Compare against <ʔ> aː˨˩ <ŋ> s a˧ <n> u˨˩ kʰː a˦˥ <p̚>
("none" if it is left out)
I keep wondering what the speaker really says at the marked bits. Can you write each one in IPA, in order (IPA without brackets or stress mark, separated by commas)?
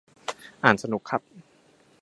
ʔ, n, n, p̚